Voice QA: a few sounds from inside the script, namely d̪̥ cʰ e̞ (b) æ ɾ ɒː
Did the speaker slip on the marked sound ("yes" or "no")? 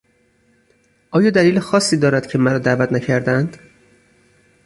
yes